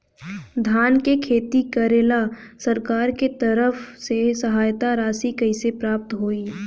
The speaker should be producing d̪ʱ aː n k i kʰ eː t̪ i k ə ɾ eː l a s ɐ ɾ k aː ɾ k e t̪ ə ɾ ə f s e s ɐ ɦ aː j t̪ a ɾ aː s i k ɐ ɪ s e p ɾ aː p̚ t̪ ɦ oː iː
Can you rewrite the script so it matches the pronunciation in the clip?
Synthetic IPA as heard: d̪ʱ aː n k e kʰ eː t̪ i k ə ɾ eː l a s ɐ ɾ k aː ɾ k e t̪ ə ɾ ə f s e s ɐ ɦ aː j t̪ a ɾ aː s i k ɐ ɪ s e p ɾ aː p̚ t̪ ɦ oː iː